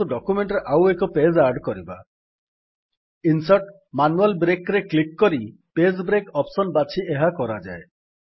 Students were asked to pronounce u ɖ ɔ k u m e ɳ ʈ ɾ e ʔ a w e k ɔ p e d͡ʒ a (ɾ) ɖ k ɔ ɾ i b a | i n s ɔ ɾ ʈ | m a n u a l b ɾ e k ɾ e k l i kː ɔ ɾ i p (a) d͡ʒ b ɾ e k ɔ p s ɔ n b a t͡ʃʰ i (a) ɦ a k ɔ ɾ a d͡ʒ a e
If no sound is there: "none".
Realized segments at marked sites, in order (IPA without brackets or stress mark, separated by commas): ɾ, e, e